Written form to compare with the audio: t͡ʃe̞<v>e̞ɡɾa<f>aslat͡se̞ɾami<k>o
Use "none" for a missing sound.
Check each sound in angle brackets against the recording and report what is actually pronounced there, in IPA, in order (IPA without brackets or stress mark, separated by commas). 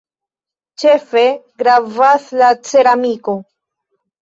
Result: f, v, k